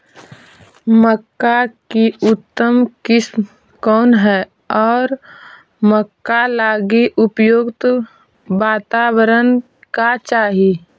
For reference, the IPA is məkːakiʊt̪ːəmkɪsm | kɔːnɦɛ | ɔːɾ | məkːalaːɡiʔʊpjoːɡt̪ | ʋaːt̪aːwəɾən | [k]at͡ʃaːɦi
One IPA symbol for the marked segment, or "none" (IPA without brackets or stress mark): k